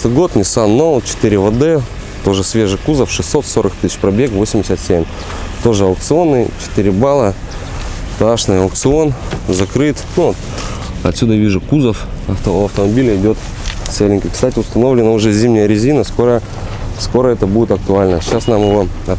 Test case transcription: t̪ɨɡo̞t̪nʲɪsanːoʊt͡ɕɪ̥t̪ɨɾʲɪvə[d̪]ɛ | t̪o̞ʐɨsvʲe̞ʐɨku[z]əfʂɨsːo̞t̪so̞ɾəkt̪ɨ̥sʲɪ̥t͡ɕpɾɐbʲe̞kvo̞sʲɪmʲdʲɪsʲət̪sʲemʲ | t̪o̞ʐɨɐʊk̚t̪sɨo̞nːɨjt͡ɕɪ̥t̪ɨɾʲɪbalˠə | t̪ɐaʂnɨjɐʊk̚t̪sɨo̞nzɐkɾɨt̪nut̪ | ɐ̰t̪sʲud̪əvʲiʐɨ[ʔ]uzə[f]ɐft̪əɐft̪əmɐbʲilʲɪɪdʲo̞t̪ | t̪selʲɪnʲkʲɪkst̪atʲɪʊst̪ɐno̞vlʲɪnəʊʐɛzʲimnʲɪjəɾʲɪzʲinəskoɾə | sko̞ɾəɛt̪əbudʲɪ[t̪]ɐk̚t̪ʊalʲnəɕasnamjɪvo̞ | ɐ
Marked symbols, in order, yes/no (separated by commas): yes, yes, no, yes, yes